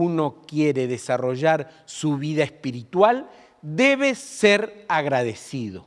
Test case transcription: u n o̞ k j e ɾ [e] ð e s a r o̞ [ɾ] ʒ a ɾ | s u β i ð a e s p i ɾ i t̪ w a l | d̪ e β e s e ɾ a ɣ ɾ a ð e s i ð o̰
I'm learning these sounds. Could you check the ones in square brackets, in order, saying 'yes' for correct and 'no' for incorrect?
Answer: yes, no

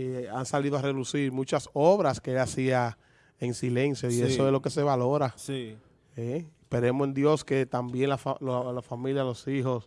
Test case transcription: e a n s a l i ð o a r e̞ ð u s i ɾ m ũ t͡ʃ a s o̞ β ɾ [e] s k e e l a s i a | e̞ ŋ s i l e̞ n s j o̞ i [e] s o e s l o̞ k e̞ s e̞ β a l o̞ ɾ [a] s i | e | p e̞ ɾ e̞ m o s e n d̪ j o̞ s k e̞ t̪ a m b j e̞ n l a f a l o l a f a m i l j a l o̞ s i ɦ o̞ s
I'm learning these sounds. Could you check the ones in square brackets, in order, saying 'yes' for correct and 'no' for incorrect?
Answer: no, yes, yes

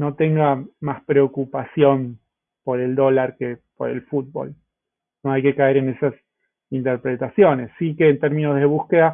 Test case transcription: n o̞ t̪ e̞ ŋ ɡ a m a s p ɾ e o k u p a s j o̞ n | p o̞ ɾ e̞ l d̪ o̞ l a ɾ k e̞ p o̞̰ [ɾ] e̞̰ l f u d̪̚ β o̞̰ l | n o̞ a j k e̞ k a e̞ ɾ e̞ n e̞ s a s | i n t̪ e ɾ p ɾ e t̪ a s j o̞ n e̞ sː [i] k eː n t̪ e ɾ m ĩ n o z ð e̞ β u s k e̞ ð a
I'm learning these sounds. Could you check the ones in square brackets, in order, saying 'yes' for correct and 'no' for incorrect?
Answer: yes, yes

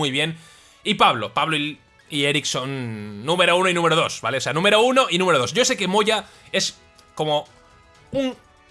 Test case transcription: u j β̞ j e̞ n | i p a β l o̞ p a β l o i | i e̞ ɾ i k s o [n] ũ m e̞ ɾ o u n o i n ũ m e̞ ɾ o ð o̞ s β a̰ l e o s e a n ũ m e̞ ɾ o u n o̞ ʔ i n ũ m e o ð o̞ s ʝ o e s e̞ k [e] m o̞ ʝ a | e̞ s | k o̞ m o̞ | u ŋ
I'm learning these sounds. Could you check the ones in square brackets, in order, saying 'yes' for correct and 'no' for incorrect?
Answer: no, yes

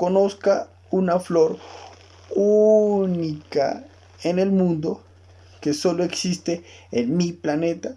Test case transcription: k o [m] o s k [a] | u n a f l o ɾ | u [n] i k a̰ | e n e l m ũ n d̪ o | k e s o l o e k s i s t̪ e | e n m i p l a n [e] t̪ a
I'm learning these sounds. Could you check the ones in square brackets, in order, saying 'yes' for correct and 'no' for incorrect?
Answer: no, yes, yes, yes

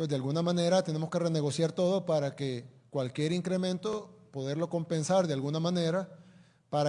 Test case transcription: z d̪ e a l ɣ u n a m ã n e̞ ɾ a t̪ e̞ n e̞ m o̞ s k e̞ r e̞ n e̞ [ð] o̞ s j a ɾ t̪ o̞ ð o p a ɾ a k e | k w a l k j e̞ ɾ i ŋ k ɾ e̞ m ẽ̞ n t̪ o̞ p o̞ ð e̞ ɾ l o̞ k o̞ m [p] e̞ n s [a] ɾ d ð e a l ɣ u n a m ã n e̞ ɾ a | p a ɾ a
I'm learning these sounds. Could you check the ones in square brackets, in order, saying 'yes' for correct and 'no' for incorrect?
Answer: no, yes, yes

